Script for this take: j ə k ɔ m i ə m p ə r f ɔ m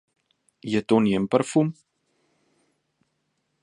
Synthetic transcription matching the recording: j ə t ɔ n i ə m p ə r f u m